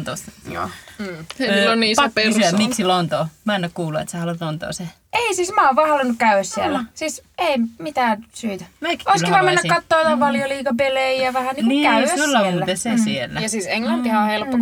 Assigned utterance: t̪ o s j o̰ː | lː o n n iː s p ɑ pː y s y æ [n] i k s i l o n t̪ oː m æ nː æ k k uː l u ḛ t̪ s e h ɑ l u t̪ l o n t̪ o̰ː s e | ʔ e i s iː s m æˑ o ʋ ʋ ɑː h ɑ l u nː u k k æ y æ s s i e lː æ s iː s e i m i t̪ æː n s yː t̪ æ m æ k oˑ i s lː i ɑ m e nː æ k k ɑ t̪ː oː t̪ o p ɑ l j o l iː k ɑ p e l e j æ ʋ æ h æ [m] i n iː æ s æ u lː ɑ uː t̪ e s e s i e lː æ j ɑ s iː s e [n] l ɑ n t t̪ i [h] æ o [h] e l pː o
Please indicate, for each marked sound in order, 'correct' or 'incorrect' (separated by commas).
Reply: incorrect, incorrect, incorrect, correct, correct